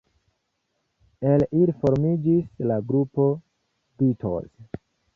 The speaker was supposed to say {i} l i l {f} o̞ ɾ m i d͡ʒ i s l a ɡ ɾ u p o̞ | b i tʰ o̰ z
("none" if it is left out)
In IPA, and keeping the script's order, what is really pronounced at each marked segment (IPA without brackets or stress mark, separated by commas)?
e, f